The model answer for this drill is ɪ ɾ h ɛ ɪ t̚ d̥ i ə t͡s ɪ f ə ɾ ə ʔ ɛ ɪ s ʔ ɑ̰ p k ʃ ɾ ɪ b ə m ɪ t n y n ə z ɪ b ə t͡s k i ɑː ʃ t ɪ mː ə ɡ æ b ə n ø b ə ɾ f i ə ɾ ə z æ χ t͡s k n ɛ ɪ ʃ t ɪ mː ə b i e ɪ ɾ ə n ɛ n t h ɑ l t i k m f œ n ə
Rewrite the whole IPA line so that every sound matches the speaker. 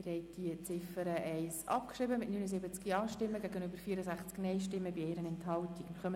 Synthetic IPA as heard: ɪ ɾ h ɛ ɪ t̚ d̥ i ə t͡s ɪ f ə ɾ ə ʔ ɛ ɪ s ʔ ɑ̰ p k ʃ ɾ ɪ b ə m ɪ t n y n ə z ɪ b ə t͡s k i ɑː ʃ t ɪ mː ə ɡ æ ɡ ə n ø b ə ɾ f i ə ɾ ə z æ χ t͡s k n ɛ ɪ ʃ t ɪ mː ə b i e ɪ ɾ ə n ɛ n t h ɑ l t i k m χ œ m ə